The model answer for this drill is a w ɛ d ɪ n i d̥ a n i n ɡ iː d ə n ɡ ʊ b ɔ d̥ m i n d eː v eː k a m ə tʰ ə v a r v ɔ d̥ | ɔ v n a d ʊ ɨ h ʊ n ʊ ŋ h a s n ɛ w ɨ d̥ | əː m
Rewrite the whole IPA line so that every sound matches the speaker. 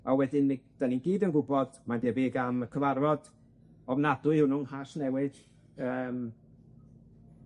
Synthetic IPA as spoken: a w ɛ d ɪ n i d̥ a n i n ɡ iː d ə n ɡ ʊ b ɔ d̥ m a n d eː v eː ɡ a m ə kʰ ə v a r v ɔ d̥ | ɔ v n a d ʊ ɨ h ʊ n ʊ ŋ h a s n ɛ w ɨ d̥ | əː m